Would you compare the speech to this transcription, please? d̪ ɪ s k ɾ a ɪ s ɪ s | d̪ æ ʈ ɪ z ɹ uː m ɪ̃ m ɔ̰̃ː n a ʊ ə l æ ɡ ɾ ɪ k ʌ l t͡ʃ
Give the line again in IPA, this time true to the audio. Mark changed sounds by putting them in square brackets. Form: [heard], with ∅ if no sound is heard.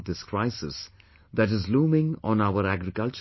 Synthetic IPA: d̪ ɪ s k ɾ a ɪ s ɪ s | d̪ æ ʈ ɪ z [l] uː m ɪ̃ [ŋ] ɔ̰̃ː n a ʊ ə [ɾ] æ ɡ ɾ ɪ k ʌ l t͡ʃ

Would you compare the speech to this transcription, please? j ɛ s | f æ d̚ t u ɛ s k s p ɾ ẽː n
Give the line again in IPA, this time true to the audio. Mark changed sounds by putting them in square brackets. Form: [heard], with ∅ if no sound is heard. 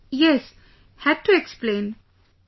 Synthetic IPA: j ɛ s | [h] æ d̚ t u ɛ [∅] k s p [l] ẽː n

